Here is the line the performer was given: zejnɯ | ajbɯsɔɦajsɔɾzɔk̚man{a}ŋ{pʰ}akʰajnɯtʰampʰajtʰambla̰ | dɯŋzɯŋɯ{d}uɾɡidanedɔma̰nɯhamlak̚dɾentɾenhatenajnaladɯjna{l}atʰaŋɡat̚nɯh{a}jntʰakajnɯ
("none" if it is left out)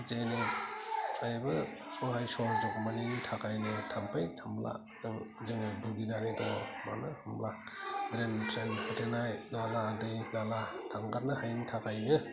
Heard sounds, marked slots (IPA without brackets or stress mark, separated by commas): i, tʰ, b, l, a